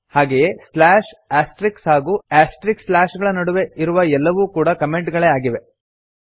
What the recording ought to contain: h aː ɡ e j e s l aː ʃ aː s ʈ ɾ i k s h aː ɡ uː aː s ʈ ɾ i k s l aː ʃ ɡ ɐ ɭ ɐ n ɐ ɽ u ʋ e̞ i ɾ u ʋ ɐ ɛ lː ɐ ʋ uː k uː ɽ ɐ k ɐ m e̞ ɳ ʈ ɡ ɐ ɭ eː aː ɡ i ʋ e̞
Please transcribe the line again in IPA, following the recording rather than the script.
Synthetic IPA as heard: h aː ɡ e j e s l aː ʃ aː s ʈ ɾ i k s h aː ɡ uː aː s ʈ ɾ i k s l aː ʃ ɡ ɐ ɭ ɐ n ɐ ɽ u ʋ e̞ i ɾ u ʋ ɐ ɛ lː ɐ ʋ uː k uː ɽ ɐ k ɐ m e̞ ɳ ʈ ɡ ɐ ɭ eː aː ɡ i ʋ e̞

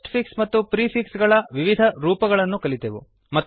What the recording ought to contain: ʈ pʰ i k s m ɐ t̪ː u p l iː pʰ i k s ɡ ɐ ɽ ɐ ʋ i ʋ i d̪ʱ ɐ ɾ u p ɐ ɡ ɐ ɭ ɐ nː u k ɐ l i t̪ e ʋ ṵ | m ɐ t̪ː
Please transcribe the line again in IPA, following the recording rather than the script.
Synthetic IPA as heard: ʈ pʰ i k s m ɐ t̪ː u p ɾ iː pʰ i k s ɡ ɐ ɭ ɐ ʋ i ʋ i d̪ʱ ɐ ɾ uː p ɐ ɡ ɐ ɭ ɐ nː u k ɐ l i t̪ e ʋ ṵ | m ɐ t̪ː

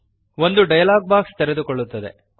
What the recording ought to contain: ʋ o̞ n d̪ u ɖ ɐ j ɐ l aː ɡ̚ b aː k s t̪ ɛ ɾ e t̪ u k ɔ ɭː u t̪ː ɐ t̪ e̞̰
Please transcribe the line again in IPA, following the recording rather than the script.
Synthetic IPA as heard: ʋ o̞ n d̪ u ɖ ɐ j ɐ l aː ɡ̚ b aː k s t̪ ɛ ɾ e d̪ u k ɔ ɭː u t̪ː ɐ d̪ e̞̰

